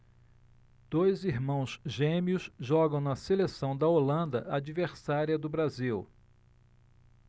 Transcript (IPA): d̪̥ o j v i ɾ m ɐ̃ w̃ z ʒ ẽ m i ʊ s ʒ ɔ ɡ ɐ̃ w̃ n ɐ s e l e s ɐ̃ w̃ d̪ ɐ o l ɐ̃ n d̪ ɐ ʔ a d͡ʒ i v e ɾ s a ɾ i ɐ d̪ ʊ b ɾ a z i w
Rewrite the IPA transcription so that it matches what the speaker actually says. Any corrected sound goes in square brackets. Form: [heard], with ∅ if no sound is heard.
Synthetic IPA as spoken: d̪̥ o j [z] i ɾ m ɐ̃ w̃ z ʒ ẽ m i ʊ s ʒ ɔ ɡ ɐ̃ w̃ n ɐ s e l e s ɐ̃ w̃ d̪ ɐ o l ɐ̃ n d̪ ɐ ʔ a d͡ʒ i v e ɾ s a ɾ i ɐ d̪ ʊ b ɾ a z i w